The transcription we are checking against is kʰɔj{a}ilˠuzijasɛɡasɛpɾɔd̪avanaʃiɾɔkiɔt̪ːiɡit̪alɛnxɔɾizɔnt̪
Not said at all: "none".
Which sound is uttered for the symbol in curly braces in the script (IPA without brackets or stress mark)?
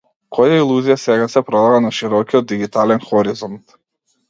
a